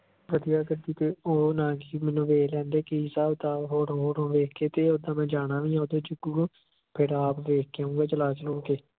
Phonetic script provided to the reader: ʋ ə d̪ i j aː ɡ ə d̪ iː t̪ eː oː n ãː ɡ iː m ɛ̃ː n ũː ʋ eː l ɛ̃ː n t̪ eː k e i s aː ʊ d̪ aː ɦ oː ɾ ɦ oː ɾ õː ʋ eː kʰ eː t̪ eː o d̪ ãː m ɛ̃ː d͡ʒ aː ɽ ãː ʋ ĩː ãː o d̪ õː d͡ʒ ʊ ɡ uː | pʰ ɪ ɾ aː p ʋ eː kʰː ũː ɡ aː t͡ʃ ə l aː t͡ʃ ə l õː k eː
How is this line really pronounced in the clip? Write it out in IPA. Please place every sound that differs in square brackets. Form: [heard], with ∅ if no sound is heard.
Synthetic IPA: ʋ ə d̪ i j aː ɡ ə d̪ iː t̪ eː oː n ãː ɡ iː m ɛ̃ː n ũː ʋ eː l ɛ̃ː n [d̪] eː k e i s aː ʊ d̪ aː ɦ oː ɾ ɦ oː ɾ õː ʋ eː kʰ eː t̪ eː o d̪ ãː m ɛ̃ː d͡ʒ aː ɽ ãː ʋ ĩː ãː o d̪ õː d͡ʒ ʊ ɡ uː | pʰ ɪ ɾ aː p ʋ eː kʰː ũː ɡ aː t͡ʃ ə l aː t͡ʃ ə l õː k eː